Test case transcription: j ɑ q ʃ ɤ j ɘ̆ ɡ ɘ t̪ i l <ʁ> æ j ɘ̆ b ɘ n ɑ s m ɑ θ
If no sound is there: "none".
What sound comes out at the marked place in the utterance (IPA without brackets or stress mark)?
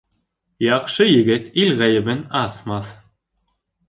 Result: ʁ